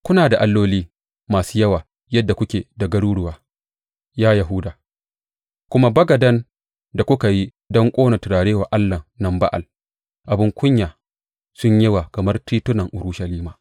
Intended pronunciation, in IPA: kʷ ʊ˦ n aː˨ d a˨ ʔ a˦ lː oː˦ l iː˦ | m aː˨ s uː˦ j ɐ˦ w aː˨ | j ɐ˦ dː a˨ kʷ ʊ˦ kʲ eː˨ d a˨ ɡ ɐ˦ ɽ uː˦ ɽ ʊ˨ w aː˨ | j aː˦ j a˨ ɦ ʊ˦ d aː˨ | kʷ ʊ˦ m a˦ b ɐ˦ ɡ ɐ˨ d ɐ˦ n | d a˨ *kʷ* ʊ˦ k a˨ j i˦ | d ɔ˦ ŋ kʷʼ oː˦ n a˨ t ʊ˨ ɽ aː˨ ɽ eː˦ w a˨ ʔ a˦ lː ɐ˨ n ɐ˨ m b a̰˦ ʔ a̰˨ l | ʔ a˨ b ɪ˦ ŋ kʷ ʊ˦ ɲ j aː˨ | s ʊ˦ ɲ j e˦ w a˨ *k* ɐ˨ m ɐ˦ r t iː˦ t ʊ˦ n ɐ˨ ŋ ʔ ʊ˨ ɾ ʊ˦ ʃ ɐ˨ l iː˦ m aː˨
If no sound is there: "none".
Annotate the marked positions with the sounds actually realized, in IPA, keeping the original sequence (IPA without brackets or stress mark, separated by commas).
kʷ, k